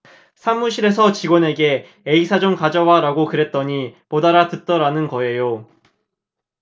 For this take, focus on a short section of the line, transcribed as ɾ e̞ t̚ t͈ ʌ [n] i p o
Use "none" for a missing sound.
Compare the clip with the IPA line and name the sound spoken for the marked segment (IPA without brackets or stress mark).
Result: ɲ